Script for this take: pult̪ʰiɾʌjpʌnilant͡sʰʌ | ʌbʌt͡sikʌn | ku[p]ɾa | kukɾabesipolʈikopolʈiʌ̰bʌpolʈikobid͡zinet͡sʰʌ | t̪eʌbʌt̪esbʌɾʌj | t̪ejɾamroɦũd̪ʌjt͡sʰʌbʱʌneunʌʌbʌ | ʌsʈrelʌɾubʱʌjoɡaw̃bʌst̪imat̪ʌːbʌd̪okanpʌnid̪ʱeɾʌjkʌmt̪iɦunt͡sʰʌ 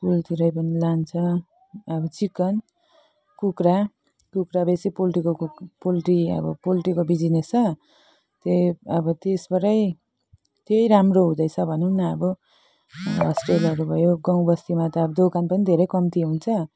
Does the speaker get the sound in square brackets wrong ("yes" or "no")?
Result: yes